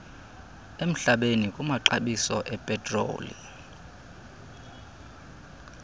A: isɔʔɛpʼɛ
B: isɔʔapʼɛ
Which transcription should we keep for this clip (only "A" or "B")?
A